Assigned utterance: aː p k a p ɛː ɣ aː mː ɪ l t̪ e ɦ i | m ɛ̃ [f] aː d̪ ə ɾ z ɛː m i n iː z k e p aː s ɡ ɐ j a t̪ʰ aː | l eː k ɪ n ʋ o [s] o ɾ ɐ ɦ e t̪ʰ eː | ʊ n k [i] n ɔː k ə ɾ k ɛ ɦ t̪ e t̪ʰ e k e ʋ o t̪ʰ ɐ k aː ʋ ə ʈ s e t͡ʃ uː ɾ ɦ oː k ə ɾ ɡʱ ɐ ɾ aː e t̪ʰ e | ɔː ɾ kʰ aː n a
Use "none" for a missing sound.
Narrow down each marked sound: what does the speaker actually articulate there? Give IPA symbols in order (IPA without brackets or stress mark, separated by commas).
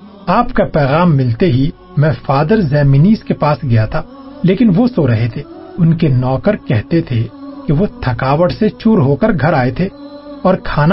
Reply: f, s, e